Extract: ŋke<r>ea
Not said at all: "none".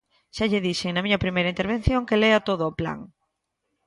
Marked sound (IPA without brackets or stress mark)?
l